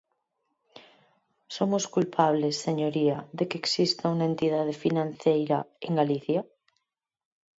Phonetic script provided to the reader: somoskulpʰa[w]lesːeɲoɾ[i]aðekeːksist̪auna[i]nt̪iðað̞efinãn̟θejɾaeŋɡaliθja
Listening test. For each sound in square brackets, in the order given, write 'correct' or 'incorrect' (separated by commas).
incorrect, correct, incorrect